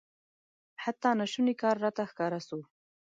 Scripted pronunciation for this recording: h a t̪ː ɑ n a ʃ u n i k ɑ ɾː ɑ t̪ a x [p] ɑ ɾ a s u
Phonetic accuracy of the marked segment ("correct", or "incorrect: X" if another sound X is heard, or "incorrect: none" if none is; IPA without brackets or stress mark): incorrect: k